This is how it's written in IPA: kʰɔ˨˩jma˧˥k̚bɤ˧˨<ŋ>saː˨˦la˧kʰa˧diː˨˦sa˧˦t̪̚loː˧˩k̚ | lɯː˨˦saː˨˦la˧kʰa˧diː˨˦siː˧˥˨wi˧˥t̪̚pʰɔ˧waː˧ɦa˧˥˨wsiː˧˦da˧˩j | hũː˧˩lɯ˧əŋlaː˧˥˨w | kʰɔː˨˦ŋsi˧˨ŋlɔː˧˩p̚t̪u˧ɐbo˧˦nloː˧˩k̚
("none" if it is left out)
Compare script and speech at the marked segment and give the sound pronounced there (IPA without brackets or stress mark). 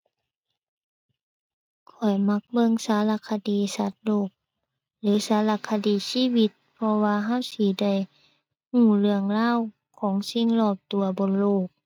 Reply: ŋ